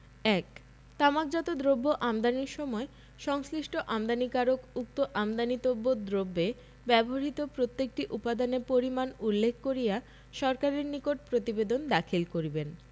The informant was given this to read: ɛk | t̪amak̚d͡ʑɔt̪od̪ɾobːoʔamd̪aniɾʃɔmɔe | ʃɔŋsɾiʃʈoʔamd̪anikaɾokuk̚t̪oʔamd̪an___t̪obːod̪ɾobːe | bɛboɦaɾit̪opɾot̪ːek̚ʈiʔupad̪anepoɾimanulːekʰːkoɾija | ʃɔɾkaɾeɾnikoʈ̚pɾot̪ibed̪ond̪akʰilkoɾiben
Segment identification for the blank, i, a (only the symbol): i